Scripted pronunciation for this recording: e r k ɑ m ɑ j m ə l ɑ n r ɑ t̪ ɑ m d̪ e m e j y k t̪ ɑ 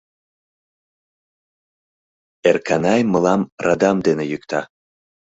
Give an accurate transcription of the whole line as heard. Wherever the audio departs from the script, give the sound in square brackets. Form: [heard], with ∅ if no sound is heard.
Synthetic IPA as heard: e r k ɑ [n] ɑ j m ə l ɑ [m] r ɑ [d̪] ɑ m d̪ e [n] e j y k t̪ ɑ